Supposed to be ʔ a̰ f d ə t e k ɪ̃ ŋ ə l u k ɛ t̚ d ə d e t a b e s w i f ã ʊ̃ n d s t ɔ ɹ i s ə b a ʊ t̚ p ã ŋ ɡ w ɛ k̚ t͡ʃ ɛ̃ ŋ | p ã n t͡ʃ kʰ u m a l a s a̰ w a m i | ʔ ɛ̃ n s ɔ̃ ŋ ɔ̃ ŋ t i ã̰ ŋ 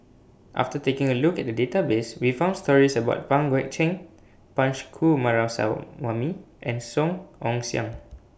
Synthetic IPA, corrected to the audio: ʔ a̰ f t ə t e k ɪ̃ ŋ ə l u k ɛ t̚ d ə d e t a b e s w i f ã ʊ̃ n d s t ɔ ɹ i s ə b a ʊ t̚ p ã ŋ ɡ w ɛ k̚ t͡ʃ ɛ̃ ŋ | p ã n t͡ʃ kʰ u m a ɹ a s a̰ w a m i | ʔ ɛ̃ n s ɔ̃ ŋ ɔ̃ ŋ s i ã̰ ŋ